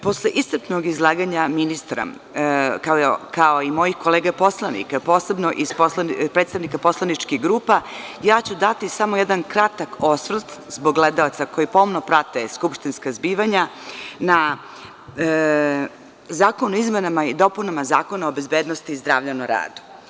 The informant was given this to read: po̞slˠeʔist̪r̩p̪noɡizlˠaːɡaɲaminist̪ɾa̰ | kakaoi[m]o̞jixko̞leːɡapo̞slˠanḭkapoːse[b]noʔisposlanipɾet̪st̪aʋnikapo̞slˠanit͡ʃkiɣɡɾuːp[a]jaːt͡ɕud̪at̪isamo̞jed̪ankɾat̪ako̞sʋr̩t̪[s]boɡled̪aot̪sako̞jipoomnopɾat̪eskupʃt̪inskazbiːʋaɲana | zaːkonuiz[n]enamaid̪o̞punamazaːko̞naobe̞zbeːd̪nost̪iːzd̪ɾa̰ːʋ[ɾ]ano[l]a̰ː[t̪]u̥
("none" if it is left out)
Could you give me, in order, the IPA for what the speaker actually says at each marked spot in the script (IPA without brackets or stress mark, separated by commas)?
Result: m, b, a, z, m, ʎ, ɾ, d̪